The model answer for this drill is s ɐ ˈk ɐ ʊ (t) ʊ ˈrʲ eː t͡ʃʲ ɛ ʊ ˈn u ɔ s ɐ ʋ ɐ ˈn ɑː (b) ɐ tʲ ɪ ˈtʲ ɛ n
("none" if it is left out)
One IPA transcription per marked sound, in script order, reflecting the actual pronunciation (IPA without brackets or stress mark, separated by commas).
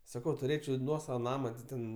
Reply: t, m